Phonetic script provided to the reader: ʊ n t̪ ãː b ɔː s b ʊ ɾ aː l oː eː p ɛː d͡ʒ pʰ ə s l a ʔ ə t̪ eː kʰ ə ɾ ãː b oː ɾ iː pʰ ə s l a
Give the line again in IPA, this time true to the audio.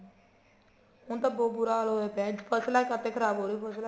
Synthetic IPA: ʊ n t̪ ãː b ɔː b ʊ ɾ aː l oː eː p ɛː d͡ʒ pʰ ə s l a k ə t̪ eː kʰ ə ɾ aː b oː ɾ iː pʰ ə s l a